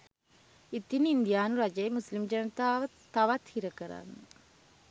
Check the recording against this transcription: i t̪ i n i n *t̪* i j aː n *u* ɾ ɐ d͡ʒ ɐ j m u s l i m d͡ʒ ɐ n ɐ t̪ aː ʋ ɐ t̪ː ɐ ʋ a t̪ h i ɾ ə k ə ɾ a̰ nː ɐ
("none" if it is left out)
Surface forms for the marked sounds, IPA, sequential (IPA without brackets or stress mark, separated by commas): d̪, u